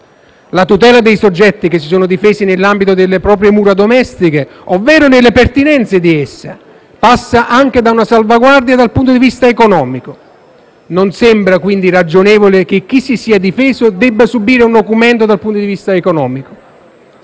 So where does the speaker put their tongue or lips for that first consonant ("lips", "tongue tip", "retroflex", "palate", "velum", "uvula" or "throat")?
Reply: tongue tip